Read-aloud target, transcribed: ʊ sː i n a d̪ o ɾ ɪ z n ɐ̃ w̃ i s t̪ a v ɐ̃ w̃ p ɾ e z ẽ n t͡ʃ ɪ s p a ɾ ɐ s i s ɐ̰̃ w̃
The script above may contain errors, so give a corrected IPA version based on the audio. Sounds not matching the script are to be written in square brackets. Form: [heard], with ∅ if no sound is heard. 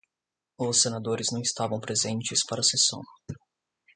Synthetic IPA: ʊ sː [e] n a d̪ o ɾ ɪ z n ɐ̃ w̃ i s t̪ a v ɐ̃ w̃ p ɾ e z ẽ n t͡ʃ ɪ s p a ɾ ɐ s [e] s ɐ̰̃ w̃